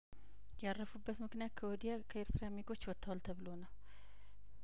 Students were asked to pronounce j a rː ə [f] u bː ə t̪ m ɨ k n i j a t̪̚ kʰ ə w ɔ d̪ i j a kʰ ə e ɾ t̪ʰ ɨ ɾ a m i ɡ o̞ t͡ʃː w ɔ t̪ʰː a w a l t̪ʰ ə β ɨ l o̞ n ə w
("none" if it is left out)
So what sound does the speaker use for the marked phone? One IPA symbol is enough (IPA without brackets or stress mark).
f